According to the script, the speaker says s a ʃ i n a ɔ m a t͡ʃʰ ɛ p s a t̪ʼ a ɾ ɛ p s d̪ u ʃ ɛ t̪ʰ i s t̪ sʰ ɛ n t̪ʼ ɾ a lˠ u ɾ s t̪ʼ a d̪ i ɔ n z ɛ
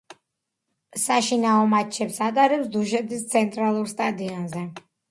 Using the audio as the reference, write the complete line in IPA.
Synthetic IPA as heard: s a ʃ i n a ɔ m a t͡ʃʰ ɛ p s a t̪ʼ a ɾ ɛ p s d̪ u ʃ ɛ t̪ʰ i s t̪ sʰ ɛ n t̪ʼ ɾ a lˠ u ɾ s t̪ʼ a d̪ i ɔ n z ɛ